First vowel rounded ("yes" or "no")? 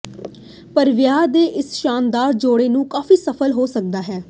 no